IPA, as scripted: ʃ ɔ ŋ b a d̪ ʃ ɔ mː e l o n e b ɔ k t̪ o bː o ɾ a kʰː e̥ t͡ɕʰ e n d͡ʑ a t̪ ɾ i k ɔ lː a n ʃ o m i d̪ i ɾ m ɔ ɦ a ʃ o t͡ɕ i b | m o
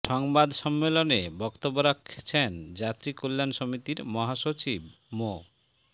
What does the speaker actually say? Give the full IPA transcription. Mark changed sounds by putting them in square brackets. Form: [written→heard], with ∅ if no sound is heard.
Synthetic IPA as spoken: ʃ ɔ ŋ b a d̪ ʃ ɔ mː e l o n e b ɔ k t̪ o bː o ɾ a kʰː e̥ t͡ɕʰ e n d͡ʑ a t̪ ɾ i k [ɔ→o] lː a n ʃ o m i [d̪→t̪] i ɾ m ɔ ɦ a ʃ o t͡ɕ i b | m o